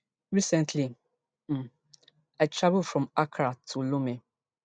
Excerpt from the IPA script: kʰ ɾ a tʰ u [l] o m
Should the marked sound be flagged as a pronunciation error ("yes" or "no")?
no